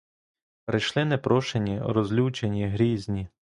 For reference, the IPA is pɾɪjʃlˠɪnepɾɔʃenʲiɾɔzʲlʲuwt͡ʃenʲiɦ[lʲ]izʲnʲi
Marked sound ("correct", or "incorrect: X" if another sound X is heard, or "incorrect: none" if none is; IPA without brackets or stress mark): incorrect: ɾʲ